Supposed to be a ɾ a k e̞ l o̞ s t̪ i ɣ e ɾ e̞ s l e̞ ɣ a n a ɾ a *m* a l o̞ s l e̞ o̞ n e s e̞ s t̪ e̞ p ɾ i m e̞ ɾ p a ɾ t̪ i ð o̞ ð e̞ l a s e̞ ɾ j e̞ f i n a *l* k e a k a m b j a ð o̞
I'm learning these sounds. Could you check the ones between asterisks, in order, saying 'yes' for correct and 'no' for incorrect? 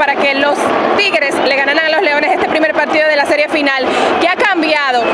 no, yes

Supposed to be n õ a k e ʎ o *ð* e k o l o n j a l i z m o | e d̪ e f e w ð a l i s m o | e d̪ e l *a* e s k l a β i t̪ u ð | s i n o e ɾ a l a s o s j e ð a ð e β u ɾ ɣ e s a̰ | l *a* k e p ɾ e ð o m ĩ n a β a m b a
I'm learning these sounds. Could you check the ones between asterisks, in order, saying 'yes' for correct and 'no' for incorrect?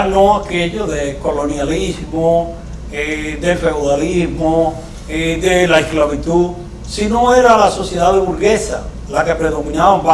yes, yes, yes

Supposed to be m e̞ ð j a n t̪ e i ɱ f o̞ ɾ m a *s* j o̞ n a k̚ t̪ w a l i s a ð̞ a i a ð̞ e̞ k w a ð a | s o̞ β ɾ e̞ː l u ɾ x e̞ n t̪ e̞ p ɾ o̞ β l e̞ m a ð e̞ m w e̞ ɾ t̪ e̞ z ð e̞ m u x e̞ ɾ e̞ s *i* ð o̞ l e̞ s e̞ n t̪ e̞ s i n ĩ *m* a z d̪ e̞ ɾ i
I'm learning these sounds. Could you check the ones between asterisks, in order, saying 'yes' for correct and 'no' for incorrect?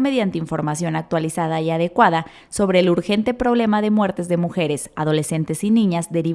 yes, no, no

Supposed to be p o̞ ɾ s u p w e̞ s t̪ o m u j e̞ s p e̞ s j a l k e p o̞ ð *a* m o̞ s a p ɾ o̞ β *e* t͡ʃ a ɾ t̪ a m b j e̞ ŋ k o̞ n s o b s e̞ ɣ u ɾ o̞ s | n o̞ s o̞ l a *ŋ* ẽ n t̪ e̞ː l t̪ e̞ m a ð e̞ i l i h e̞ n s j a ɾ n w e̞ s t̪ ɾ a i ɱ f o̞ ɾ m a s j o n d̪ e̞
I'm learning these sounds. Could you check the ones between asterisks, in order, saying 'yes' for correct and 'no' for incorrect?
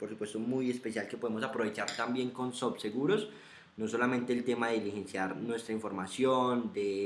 no, yes, no

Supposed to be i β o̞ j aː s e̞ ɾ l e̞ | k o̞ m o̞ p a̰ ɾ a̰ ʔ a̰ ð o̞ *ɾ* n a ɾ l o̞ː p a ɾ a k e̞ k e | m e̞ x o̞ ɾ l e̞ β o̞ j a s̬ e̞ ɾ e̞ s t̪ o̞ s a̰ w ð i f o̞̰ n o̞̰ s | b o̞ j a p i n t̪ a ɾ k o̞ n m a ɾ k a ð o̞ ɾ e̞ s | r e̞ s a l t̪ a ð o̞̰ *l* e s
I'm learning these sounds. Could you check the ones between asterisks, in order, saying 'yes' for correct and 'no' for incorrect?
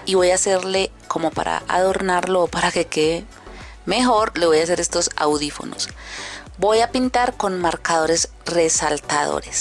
yes, no

